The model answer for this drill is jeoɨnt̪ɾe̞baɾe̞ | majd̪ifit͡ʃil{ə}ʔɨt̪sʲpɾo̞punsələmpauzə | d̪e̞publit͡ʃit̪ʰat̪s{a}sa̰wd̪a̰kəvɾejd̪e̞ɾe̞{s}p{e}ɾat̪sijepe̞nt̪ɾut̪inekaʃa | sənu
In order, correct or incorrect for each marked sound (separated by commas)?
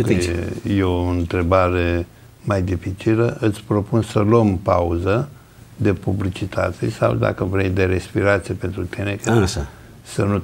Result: correct, incorrect, correct, incorrect